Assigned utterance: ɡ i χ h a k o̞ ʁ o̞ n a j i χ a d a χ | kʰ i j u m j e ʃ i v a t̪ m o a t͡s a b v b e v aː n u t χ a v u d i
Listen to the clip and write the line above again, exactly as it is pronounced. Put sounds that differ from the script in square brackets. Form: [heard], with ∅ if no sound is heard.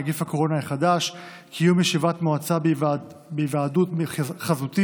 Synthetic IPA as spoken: ɡ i [f] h a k o̞ ʁ o̞ n a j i χ a d a [ʃ] | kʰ i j u m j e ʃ i v a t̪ m o a t͡s a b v b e v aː [d] u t χ a [z] u [t] i